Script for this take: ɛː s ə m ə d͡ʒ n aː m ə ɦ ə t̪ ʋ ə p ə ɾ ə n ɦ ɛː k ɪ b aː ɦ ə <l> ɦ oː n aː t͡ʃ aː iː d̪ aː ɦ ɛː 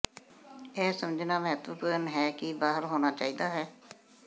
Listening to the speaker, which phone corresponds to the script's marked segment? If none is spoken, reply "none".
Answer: ɾ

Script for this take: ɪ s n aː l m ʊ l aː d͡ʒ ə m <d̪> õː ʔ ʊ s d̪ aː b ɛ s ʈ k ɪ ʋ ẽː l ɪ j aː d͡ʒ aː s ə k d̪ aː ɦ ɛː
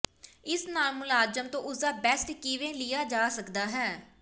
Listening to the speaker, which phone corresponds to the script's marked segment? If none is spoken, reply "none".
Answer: t̪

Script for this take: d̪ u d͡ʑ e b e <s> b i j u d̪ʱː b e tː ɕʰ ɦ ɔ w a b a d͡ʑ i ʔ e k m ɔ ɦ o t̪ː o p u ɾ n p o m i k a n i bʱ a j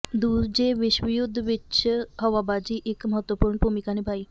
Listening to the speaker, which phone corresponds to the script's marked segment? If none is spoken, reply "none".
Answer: ʃ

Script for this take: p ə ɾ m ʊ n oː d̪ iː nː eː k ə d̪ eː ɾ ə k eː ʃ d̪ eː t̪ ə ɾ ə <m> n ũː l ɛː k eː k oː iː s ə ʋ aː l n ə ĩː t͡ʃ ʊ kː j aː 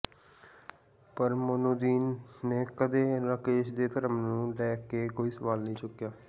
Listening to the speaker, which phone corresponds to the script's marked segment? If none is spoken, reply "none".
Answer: m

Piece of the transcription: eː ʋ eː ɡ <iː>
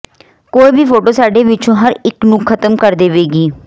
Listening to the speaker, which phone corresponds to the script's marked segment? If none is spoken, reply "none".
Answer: iː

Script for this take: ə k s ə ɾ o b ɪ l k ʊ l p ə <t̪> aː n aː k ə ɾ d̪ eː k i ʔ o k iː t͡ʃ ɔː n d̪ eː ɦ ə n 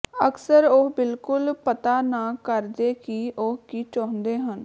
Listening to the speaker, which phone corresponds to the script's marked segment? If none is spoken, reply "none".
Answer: t̪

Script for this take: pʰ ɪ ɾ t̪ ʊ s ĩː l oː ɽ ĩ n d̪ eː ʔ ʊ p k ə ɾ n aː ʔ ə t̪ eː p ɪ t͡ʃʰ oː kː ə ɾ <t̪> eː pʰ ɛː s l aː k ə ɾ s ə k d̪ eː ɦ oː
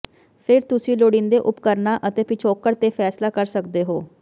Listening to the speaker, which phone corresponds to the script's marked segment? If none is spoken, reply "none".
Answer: t̪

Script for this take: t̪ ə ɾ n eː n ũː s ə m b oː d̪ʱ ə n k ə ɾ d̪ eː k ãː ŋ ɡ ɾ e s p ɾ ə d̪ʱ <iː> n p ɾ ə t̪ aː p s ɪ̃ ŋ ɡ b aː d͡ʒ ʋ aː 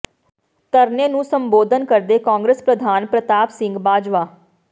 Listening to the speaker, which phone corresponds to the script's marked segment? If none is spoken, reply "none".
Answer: aː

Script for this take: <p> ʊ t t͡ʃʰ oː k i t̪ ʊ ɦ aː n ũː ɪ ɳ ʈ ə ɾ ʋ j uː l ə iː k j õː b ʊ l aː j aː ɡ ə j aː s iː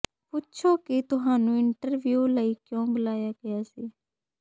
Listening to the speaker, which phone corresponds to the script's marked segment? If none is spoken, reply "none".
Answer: p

